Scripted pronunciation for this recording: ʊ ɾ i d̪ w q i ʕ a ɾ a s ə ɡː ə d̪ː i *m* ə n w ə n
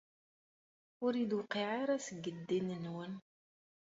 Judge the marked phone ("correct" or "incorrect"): incorrect